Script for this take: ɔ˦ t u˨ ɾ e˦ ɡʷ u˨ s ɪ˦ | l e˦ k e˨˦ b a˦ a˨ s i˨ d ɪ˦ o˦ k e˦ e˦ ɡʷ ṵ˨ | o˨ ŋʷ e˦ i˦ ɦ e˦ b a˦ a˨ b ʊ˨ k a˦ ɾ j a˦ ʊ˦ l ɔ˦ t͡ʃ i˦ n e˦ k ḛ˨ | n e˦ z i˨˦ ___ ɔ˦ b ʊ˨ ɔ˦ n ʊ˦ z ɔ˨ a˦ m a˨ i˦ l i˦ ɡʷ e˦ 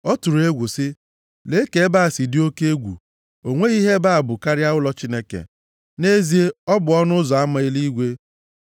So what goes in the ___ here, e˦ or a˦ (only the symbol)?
e˦